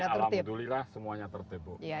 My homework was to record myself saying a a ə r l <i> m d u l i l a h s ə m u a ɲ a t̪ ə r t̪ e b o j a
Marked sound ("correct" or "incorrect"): incorrect